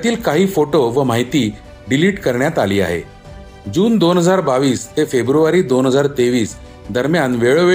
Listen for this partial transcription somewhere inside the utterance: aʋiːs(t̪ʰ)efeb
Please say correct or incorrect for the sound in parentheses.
incorrect